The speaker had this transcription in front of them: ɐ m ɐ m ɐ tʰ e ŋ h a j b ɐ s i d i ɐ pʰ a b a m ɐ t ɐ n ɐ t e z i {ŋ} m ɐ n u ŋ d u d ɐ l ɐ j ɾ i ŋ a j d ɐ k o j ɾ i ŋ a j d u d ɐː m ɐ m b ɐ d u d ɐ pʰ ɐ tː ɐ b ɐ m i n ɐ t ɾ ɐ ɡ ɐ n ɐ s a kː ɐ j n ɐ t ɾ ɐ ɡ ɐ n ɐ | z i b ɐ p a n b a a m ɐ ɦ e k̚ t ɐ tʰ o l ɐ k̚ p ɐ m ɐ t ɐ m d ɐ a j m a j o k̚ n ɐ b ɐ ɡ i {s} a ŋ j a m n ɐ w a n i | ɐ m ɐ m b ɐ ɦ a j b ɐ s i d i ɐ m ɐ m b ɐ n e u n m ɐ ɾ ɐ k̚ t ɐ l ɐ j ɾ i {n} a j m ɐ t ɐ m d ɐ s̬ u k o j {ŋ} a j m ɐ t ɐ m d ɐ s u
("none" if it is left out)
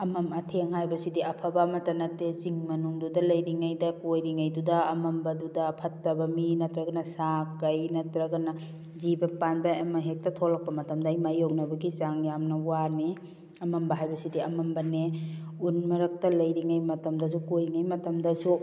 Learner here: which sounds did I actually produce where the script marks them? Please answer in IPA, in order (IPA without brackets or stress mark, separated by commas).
ŋ, z, ŋ, ŋ